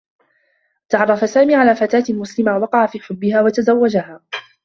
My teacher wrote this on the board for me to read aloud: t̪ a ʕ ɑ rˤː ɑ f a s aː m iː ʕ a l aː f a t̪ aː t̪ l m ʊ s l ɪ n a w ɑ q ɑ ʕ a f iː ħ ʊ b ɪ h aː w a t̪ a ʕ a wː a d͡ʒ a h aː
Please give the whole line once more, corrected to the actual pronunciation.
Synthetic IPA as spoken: t̪ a ʕ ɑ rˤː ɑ f a s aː m iː ʕ a l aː f a t̪ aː t̪ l m ʊ s l ɪ m a w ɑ q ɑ ʕ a f iː ħ ʊ bː ɪ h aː w a t̪ a z a wː a d͡ʒ a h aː